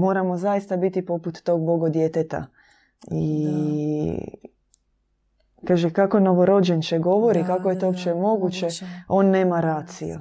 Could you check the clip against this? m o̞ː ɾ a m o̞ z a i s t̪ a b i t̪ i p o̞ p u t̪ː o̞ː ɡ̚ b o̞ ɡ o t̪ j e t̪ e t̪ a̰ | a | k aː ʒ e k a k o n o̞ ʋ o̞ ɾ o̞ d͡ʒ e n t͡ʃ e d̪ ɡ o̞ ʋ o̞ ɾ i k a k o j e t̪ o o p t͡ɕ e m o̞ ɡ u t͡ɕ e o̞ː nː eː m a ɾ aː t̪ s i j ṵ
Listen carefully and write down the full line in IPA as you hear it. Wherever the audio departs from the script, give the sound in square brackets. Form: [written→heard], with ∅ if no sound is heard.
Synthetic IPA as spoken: m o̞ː ɾ a m o̞ z a i s t̪ a b i t̪ i p o̞ p u t̪ː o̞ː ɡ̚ b o̞ ɡ o [t̪→d̪] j e t̪ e t̪ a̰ | [a→i] | k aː ʒ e k a k o n o̞ ʋ o̞ ɾ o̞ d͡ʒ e n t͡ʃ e [d̪→∅] ɡ o̞ ʋ o̞ ɾ i k a k o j e t̪ o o p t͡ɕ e m o̞ ɡ u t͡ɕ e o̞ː nː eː m a ɾ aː t̪ s i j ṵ